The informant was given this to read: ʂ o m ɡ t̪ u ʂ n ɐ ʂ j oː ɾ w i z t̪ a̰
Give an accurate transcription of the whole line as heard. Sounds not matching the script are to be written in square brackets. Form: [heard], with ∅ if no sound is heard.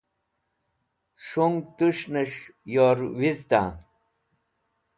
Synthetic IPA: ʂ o [ŋ] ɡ t̪ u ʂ n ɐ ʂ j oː ɾ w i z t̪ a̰